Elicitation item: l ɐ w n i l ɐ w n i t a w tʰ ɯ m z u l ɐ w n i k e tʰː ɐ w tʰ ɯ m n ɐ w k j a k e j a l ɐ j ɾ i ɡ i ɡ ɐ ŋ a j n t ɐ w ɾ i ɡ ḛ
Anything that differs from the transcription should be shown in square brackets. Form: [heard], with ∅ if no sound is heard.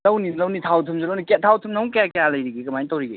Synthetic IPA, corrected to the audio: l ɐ w n i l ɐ w n i [tʰ] a w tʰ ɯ m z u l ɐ w n i k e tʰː [a] w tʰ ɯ m n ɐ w k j a k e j a l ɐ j ɾ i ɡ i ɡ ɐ [m] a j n t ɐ w ɾ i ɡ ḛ